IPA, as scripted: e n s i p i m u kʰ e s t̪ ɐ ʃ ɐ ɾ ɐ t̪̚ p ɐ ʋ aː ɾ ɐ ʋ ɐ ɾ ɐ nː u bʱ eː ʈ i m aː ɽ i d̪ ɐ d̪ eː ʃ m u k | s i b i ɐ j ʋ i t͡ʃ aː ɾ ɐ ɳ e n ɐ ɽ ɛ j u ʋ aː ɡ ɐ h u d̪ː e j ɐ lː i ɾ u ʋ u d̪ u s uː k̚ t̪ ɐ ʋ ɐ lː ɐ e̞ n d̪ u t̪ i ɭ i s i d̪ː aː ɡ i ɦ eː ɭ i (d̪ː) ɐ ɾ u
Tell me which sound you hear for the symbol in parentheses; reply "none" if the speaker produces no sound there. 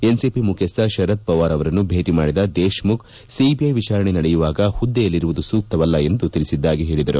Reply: d̪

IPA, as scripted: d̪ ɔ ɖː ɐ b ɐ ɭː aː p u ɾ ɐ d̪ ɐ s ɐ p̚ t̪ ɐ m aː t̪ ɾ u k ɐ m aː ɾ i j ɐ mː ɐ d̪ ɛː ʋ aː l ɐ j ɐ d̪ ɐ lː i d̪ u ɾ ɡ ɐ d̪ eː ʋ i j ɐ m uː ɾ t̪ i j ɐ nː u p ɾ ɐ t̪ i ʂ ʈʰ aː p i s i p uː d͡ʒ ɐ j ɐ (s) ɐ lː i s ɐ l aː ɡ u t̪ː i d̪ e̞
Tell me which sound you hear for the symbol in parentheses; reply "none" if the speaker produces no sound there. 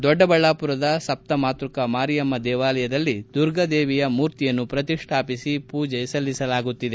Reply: s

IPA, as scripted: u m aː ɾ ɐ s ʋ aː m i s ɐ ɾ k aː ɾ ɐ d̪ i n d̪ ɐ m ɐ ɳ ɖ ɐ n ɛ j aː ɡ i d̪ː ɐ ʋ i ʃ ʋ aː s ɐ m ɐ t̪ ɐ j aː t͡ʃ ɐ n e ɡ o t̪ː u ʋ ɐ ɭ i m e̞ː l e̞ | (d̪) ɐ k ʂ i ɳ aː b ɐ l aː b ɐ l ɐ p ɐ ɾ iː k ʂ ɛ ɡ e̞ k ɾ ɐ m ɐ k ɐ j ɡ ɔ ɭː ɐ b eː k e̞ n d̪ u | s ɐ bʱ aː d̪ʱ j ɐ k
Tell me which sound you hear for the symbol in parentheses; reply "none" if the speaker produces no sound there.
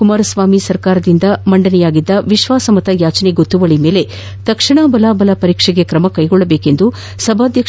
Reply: t̪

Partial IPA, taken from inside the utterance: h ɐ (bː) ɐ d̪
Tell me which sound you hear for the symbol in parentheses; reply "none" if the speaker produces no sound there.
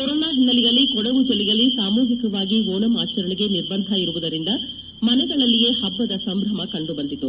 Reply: bː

